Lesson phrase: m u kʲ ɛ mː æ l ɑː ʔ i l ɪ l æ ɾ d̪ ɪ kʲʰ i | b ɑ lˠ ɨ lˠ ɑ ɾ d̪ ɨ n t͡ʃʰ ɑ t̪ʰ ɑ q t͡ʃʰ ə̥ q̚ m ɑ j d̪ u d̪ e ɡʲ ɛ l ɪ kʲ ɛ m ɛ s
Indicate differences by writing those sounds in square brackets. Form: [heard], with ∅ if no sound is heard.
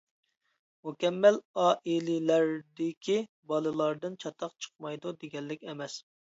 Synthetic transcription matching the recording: m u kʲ ɛ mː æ l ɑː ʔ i l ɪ l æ ɾ d̪ ɪ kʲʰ i | b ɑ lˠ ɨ lˠ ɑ ɾ d̪ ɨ n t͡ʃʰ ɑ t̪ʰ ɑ q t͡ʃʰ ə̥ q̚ m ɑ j d̪ u d̪ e ɡʲ ɛ [lː] ɪ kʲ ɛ m ɛ s